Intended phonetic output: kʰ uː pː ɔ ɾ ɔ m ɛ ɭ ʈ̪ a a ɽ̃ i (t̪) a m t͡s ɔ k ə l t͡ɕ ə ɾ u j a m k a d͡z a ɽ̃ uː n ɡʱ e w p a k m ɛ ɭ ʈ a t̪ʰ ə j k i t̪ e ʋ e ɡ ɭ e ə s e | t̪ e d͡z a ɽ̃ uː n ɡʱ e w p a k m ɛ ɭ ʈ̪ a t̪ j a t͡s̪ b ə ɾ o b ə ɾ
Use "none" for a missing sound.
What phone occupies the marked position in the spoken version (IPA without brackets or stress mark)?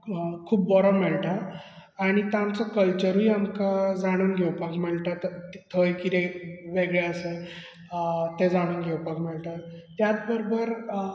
t̪